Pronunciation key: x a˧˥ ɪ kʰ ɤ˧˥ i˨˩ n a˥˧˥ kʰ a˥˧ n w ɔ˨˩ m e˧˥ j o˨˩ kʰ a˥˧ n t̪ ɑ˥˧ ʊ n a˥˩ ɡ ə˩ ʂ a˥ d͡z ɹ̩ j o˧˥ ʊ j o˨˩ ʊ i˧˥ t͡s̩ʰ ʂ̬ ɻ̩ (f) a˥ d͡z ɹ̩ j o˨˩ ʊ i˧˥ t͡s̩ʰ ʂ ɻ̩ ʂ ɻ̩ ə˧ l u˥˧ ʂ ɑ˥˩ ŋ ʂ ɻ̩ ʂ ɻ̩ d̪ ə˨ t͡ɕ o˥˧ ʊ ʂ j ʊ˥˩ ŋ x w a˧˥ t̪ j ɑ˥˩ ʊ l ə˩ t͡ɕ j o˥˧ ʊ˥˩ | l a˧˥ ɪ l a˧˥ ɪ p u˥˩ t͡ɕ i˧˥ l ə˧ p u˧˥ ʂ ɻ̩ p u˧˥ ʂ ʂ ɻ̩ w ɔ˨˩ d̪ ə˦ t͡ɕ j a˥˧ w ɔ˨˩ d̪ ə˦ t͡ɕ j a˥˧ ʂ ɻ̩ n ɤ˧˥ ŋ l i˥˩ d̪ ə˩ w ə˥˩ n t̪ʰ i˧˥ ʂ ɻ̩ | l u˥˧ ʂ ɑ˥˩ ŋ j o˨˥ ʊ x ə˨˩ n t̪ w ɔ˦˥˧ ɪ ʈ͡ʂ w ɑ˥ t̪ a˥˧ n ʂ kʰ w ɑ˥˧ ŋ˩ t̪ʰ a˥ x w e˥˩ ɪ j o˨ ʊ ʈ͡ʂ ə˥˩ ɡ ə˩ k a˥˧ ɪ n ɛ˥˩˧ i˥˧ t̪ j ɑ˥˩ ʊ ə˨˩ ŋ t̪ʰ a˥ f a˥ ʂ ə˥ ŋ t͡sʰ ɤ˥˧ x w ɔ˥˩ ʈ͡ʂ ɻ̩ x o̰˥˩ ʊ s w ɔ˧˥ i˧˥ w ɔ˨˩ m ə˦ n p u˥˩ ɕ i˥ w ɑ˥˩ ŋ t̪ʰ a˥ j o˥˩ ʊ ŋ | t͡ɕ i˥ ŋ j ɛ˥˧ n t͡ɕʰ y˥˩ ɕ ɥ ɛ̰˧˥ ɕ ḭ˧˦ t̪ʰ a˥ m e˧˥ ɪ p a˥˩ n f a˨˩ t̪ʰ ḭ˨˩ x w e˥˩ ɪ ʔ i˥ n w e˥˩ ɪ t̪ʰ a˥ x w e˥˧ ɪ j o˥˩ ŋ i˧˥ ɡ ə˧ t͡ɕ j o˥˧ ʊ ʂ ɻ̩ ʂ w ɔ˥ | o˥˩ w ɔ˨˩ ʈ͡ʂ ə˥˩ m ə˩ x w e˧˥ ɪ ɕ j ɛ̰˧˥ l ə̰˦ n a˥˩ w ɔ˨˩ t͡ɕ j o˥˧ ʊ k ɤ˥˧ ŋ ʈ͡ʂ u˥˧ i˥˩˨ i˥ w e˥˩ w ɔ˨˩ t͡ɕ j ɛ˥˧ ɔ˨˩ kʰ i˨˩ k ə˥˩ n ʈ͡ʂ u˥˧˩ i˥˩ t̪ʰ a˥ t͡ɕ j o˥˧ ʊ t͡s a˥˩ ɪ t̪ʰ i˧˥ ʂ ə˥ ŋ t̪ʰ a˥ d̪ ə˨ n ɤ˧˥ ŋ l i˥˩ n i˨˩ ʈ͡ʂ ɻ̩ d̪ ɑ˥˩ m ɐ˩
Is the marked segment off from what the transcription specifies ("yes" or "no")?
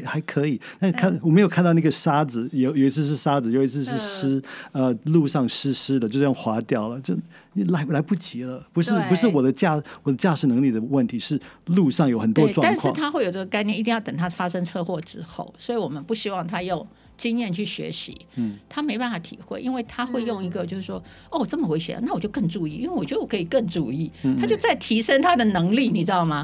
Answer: yes